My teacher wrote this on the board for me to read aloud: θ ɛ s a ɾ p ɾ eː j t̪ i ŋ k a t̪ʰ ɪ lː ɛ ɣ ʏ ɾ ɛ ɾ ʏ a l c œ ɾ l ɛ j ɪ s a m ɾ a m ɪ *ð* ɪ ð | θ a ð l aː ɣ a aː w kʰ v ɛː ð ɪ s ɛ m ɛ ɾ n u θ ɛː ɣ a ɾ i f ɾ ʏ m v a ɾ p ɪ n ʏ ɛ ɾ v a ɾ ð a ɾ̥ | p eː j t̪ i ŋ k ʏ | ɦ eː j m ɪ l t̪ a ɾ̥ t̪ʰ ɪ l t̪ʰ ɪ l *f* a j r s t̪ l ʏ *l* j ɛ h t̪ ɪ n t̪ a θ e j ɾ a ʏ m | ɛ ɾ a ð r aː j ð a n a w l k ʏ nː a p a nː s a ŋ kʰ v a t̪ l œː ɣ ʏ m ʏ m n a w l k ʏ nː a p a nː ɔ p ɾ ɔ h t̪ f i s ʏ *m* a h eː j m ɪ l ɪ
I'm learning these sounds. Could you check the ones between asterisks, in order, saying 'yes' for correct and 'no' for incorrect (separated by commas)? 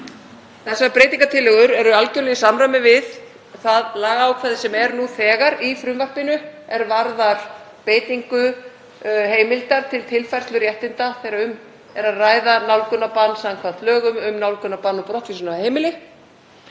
no, yes, no, no